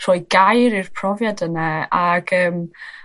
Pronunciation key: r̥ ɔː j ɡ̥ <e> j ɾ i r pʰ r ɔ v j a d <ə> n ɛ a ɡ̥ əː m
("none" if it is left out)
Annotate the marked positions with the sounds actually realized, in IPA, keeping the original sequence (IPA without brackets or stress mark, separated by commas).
a, ə